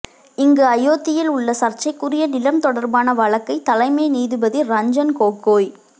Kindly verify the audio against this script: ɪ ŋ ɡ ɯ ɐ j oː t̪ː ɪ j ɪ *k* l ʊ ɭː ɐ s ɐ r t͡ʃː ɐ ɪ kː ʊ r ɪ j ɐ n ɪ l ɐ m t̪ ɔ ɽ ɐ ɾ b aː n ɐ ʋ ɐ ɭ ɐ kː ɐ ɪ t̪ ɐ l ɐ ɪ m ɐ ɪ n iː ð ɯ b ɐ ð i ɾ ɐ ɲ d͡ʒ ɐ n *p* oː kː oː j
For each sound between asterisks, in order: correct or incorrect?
incorrect: none, incorrect: k

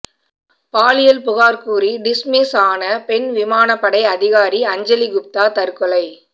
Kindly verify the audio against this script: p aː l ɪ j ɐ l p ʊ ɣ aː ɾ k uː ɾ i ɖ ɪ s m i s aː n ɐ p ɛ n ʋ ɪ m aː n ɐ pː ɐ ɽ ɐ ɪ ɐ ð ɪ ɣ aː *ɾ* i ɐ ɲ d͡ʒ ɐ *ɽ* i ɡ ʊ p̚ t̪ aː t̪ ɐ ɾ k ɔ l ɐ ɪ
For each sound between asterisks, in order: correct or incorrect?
correct, incorrect: l

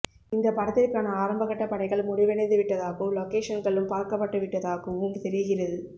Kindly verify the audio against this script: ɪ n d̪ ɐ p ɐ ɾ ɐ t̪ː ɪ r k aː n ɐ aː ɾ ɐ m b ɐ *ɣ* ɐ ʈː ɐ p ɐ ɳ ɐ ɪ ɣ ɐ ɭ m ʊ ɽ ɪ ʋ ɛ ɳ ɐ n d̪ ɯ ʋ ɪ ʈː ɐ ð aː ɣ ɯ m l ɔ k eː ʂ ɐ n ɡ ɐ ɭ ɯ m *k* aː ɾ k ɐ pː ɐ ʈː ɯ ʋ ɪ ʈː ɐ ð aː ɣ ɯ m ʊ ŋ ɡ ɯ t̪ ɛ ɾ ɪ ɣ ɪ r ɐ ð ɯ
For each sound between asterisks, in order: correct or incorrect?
correct, incorrect: p

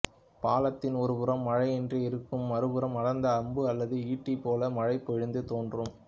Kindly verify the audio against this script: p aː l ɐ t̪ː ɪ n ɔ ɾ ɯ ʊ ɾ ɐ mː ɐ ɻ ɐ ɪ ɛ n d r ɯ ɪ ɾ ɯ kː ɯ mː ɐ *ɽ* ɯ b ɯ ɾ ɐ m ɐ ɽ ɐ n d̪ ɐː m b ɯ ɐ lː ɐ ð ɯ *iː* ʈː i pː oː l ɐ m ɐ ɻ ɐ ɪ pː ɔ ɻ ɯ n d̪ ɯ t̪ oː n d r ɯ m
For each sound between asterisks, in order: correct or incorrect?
incorrect: ɾ, correct

